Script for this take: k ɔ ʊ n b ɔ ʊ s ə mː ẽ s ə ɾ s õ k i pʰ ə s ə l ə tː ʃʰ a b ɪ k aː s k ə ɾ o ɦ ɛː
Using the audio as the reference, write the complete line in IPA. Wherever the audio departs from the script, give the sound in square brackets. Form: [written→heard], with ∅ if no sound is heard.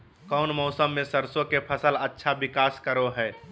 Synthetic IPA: k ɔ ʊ n [b→m] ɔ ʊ s ə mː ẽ s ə ɾ s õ k [i→e] pʰ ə s ə l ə tː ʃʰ a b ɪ k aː s k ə ɾ o ɦ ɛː